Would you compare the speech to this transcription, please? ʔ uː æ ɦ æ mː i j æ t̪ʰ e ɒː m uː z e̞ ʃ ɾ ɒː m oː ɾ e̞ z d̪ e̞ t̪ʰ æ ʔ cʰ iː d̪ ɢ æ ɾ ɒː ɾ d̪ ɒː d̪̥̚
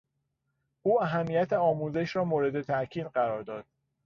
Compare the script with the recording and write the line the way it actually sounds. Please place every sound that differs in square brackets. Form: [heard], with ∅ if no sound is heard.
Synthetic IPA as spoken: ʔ uː æ ɦ æ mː i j æ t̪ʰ e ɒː m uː z e̞ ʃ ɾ ɒː m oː ɾ e̞ [∅] d̪ e̞ t̪ʰ æ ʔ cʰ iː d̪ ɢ æ ɾ ɒː ɾ d̪ ɒː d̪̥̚

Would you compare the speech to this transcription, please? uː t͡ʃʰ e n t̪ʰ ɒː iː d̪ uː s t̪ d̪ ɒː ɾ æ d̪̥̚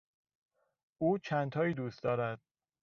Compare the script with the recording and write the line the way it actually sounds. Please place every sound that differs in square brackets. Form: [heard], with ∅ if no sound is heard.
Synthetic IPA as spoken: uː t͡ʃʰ [æ] n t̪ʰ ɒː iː d̪ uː s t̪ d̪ ɒː ɾ æ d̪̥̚

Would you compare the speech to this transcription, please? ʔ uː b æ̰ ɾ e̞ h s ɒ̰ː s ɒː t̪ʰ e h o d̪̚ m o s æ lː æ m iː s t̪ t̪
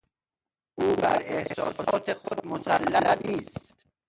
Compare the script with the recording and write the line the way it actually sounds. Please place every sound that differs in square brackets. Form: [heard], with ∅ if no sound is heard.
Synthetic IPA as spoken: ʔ uː b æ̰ ɾ e̞ h s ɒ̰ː s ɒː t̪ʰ e [x] o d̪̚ m o s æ lː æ [n] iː s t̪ t̪

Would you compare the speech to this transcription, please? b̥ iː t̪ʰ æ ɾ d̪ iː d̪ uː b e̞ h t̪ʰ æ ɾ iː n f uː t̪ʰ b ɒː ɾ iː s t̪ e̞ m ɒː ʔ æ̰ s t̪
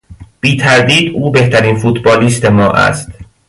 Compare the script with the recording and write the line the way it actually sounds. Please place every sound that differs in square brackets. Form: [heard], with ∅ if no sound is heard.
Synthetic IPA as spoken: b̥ iː t̪ʰ æ ɾ d̪ iː d̪ uː b e̞ h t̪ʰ æ ɾ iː n f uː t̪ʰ b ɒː [l] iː s t̪ e̞ m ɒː ʔ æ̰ s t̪

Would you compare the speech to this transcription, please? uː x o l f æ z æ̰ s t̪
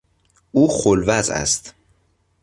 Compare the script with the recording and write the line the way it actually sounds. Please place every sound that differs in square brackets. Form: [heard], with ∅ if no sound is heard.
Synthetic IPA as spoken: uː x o l [v] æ z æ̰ s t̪

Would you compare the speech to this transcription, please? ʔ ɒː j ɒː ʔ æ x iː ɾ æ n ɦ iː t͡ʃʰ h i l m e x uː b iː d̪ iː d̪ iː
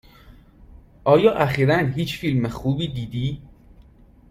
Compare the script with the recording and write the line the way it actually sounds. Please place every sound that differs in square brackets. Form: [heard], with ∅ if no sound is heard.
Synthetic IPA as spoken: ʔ ɒː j ɒː ʔ æ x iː ɾ æ n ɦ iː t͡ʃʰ [f] i l m e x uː b iː d̪ iː d̪ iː

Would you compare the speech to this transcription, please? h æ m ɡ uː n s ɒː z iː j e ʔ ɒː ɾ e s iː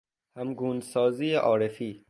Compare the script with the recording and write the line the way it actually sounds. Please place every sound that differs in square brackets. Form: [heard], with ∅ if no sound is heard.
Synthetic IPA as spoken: h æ m ɡ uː n s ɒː z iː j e ʔ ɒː ɾ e [f] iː

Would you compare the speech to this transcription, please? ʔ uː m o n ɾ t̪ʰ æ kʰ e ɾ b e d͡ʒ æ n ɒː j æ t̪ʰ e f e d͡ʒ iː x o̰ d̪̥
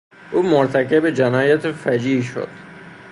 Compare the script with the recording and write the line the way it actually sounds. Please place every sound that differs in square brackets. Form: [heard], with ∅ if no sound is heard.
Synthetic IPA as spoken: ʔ uː m o [∅] ɾ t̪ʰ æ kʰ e [∅] b e d͡ʒ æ n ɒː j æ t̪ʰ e f [æ] d͡ʒ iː [ʃ] o̰ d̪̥

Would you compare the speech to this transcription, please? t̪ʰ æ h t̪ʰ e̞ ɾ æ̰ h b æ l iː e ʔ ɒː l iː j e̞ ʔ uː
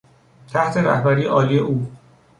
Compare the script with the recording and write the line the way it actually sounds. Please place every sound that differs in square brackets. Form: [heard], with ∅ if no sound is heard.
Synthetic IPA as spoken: t̪ʰ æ h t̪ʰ e̞ ɾ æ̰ h b æ [ɾ] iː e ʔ ɒː l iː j e̞ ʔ uː

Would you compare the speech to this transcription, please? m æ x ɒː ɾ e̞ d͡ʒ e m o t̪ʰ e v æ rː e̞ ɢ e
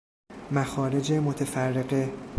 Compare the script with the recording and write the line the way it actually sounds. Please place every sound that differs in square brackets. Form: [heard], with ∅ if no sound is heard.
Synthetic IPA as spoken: m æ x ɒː ɾ e̞ d͡ʒ e m o t̪ʰ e [f] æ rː e̞ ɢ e

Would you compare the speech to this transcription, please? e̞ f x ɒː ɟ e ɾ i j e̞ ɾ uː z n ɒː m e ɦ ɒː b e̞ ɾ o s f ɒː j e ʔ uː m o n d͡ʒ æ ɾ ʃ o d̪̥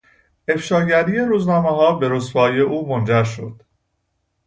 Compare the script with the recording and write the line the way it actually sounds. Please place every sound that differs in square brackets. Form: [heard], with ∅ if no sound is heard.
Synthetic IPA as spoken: e̞ f [ʃ] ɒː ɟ [æ] ɾ i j e̞ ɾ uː z n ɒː m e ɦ ɒː b e̞ ɾ o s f ɒː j e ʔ uː m o n d͡ʒ æ ɾ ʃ o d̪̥

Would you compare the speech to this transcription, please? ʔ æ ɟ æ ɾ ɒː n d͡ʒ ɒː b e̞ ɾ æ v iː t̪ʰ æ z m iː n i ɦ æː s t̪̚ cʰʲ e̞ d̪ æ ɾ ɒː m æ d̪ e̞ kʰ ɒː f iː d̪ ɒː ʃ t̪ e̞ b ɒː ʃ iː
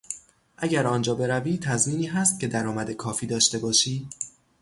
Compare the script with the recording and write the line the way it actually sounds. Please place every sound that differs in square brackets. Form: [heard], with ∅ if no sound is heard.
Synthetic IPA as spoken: ʔ æ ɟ æ ɾ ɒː n d͡ʒ ɒː b e̞ ɾ æ v iː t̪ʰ æ z m iː n [iː] ɦ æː s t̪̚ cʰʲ e̞ d̪ æ ɾ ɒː m æ d̪ e̞ kʰ ɒː f iː d̪ ɒː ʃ t̪ e̞ b ɒː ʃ iː

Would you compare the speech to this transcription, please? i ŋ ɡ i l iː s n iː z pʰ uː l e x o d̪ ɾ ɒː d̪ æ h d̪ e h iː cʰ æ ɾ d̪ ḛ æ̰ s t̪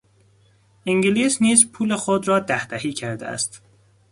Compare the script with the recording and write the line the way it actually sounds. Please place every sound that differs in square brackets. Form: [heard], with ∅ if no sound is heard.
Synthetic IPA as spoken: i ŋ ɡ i l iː s n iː z pʰ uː l e x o d̪ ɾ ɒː d̪ æ h d̪ [æ] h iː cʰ æ ɾ d̪ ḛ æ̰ s t̪

